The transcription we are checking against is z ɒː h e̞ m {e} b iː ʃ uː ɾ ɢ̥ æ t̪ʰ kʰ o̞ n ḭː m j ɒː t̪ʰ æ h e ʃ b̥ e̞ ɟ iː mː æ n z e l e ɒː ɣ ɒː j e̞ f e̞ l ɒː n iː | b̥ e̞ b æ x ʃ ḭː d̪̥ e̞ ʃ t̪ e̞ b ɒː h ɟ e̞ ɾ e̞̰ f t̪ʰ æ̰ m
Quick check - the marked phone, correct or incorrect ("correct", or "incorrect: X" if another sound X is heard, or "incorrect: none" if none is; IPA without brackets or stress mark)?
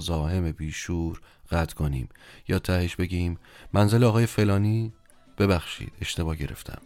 correct